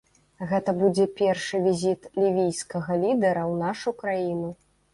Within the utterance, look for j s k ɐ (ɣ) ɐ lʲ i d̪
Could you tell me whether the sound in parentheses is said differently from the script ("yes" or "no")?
no